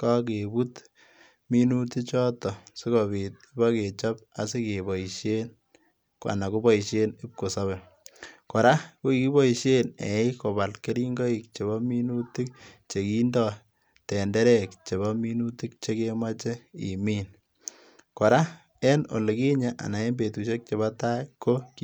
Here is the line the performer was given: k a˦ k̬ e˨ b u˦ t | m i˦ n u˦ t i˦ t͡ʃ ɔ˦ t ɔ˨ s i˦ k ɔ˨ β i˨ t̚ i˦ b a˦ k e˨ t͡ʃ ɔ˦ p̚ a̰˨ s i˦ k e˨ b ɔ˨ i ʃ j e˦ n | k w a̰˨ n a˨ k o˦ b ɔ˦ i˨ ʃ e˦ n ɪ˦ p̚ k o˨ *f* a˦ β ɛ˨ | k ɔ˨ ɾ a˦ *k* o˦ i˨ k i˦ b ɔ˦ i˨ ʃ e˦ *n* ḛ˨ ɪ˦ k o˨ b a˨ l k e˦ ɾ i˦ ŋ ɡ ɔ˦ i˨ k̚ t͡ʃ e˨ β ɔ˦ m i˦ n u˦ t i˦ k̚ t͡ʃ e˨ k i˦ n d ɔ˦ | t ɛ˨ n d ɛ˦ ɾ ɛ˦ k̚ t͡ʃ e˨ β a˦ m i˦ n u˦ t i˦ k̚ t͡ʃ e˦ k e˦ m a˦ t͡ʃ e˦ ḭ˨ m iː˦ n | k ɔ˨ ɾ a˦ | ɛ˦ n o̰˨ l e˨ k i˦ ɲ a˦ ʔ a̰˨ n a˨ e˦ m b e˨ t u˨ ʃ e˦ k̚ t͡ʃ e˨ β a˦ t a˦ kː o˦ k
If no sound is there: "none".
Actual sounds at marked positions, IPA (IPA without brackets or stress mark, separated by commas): s, k, n